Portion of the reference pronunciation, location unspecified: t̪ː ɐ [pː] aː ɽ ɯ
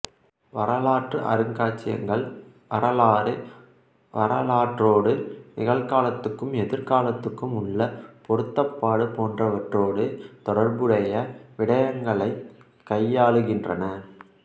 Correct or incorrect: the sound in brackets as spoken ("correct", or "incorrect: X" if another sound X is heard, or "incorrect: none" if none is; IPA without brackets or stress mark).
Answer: correct